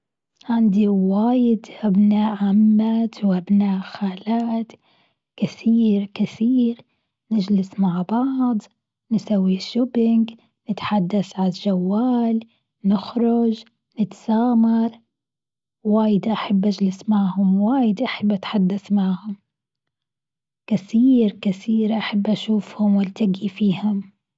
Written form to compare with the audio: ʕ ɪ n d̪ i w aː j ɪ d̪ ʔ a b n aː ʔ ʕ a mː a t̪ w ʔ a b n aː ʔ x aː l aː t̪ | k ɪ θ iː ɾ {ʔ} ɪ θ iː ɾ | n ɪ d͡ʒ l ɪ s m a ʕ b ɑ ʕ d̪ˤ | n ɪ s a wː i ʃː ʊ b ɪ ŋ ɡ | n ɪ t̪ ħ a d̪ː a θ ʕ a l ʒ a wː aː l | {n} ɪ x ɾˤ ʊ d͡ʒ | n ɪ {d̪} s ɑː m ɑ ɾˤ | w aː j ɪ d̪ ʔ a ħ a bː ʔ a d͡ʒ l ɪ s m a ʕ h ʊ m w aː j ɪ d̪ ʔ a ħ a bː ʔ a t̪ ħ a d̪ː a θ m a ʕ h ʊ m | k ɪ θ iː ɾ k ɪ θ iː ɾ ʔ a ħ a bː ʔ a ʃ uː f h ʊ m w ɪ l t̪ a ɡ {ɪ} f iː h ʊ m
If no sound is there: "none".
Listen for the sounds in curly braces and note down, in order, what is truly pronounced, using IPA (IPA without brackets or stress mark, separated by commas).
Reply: k, n, t̪, i